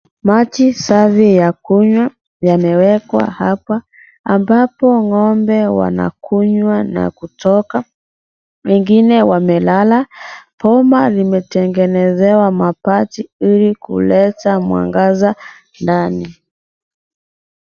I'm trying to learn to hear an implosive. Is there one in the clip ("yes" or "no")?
no